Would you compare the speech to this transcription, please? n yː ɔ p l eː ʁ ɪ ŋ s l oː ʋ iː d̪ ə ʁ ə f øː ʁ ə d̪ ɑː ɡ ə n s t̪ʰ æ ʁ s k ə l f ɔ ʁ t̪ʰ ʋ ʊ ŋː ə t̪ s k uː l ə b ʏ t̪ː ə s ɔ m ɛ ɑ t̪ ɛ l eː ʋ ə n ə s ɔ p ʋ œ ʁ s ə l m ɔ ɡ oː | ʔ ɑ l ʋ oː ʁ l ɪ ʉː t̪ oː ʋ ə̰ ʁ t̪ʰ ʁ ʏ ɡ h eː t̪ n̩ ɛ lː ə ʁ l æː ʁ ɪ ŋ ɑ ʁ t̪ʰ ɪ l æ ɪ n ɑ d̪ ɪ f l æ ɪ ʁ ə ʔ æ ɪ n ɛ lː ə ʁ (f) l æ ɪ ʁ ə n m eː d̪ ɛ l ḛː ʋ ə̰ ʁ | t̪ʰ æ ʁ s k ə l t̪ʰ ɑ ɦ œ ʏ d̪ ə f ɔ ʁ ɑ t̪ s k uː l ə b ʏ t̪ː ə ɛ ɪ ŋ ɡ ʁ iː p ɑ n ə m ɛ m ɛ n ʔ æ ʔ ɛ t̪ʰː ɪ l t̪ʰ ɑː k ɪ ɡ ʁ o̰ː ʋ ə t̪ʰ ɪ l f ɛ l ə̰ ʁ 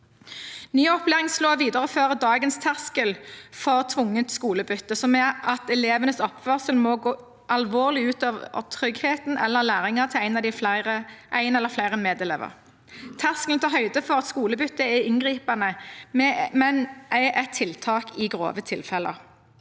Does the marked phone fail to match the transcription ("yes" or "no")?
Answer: no